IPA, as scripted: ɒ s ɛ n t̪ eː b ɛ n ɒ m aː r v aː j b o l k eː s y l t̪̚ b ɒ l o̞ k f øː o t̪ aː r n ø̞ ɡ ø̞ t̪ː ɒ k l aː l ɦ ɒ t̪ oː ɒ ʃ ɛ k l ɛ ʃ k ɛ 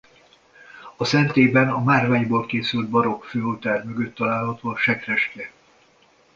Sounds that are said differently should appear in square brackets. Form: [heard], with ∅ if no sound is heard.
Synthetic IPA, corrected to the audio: ɒ s ɛ n t̪ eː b ɛ n ɒ m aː r v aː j b o l k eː s y l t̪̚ b ɒ [ɾ] o̞ k f øː o t̪ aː r [m] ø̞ ɡ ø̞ t̪ː ɒ [∅] l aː l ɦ ɒ t̪ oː ɒ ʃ ɛ k [r] ɛ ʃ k ɛ